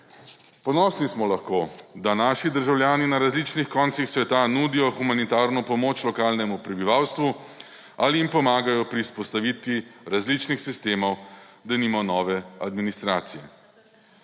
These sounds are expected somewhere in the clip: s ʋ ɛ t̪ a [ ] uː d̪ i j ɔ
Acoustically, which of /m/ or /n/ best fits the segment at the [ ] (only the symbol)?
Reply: n